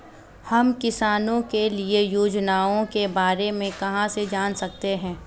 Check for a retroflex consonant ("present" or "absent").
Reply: absent